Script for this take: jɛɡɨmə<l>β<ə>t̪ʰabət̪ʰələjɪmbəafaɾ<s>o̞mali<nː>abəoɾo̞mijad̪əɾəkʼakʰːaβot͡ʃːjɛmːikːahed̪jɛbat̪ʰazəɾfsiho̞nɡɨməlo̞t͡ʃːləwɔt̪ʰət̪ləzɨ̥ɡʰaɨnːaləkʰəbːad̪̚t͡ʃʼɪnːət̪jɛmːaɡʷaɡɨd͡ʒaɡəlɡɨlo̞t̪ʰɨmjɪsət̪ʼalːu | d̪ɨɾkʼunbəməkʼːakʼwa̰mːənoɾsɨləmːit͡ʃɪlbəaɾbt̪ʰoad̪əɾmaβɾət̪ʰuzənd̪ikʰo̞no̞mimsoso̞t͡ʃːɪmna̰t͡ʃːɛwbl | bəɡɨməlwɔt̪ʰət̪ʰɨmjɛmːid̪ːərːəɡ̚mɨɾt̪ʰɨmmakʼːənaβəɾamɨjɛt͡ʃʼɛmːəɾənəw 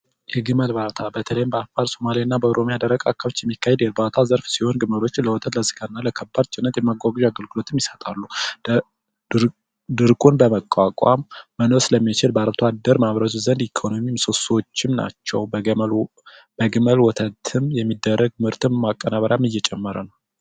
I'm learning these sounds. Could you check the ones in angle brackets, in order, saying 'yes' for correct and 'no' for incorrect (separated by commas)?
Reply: yes, no, yes, yes